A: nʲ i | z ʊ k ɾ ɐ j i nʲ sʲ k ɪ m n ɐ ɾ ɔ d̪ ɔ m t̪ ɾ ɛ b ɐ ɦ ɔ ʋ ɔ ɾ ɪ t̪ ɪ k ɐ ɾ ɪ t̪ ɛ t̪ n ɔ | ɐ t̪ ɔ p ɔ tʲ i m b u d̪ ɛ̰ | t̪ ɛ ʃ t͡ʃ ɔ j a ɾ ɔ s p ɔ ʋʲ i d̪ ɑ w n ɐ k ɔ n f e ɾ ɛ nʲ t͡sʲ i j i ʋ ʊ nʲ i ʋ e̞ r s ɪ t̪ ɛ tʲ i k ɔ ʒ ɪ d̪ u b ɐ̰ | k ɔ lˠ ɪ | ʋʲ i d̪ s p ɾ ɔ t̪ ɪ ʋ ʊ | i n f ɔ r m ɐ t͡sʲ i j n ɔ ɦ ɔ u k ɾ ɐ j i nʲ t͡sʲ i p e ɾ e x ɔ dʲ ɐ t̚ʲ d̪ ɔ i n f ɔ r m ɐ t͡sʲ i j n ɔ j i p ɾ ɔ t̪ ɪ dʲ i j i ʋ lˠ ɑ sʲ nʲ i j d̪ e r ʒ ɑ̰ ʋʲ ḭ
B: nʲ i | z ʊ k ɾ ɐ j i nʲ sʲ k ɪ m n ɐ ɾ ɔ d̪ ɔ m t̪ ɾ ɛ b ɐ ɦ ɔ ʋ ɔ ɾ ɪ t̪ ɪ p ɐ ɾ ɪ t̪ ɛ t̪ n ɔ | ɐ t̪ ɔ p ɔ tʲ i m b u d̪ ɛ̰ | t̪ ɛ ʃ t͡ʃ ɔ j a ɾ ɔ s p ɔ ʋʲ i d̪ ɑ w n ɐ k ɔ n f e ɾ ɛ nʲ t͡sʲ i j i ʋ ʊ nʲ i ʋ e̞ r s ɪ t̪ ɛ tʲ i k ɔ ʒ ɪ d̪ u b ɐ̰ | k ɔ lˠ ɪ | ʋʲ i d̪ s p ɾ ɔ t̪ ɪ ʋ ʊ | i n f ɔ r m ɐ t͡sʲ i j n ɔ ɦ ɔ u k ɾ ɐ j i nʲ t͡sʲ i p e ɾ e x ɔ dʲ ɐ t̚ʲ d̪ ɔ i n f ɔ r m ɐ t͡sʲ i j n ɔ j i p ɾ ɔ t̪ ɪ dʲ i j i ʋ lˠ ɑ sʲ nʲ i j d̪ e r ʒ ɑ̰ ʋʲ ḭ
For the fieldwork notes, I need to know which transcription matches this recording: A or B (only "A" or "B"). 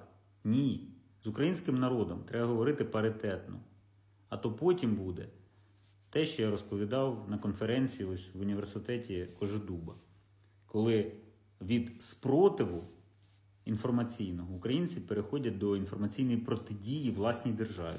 B